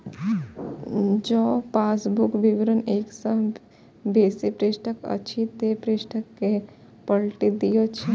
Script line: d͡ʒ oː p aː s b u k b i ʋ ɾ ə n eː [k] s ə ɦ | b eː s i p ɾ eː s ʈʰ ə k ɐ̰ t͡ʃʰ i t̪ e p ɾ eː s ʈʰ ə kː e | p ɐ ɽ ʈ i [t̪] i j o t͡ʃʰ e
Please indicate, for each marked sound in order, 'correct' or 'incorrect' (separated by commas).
correct, incorrect